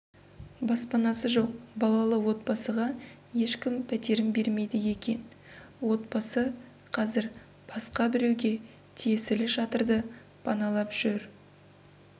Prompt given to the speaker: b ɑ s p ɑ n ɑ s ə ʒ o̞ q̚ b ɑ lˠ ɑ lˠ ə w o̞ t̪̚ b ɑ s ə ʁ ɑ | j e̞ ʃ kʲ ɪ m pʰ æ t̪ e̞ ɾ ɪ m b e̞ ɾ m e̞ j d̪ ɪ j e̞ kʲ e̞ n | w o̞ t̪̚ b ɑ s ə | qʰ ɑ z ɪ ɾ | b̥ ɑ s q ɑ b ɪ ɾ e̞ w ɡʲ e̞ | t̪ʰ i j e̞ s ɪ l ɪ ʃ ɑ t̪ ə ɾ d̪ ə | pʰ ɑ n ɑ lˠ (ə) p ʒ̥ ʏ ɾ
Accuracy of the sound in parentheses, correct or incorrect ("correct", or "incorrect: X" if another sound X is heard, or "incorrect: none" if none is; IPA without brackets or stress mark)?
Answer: incorrect: ɑ